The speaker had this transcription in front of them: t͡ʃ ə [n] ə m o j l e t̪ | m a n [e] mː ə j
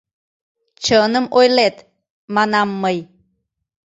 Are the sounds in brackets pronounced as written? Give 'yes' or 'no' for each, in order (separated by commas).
yes, no